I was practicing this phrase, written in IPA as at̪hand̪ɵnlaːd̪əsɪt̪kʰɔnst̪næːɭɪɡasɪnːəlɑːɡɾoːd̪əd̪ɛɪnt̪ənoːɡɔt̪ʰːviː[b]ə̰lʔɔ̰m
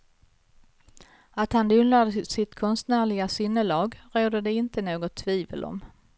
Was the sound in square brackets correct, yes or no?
no